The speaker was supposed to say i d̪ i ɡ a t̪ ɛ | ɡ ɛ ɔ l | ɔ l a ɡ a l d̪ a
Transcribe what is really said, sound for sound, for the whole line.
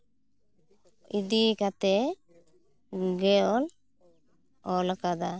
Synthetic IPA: i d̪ i k a t̪ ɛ | ɡ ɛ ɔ l | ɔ l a k a d̪ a